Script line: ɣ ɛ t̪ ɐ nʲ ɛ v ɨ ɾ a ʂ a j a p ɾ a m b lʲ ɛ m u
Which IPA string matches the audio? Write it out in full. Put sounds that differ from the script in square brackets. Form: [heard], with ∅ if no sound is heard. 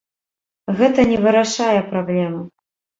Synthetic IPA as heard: ɣ ɛ t̪ ɐ nʲ ɛ v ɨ ɾ a ʂ a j [ɛ] p ɾ a [∅] b lʲ ɛ m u